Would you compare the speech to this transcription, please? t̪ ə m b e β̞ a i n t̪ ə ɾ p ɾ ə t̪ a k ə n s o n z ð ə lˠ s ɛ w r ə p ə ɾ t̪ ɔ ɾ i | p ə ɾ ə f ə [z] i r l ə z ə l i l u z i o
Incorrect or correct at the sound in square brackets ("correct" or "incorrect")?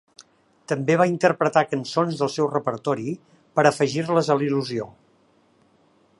incorrect